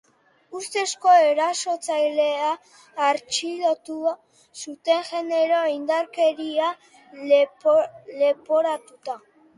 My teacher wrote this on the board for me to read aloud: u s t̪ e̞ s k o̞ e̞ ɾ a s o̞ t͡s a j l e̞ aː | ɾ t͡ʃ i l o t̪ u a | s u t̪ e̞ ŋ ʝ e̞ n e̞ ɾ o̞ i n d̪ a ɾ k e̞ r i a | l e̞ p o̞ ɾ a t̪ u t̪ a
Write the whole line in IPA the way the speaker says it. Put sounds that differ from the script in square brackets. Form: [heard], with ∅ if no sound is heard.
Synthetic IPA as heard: u s t̪ e̞ s k o̞ e̞ ɾ a s o̞ t͡s a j l e̞ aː | ɾ t͡ʃ i l o t̪ u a | s u t̪ e̞ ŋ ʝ e̞ n e̞ ɾ o̞ i n d̪ a ɾ k e̞ [ɾ] i a | l e̞ p o̞ ɾ a t̪ u t̪ a